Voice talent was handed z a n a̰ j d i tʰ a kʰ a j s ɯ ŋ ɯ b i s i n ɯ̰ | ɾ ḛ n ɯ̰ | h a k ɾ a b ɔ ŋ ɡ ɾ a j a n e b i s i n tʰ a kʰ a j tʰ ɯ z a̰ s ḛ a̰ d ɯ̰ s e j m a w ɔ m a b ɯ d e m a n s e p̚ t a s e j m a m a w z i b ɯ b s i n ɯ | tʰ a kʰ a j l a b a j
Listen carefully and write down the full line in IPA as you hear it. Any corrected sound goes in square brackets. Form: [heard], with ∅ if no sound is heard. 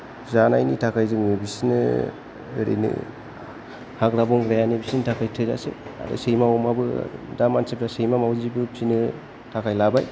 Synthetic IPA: z a n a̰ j [n] i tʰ a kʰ a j [z] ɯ ŋ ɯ b i s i n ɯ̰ | ɾ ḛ n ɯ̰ | h a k ɾ a b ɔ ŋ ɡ ɾ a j a n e b i s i n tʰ a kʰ a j tʰ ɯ z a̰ s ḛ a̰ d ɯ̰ s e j m a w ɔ m a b ɯ d [a] m a n s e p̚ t a s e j m a m a w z i b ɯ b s i n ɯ | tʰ a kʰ a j l a b a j